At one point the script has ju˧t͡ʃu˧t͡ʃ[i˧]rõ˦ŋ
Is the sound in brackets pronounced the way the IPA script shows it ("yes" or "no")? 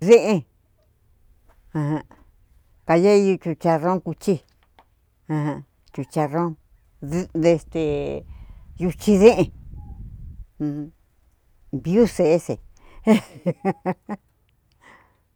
no